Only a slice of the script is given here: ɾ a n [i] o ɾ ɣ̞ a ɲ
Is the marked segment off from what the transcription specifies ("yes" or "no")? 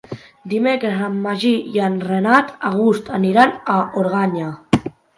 yes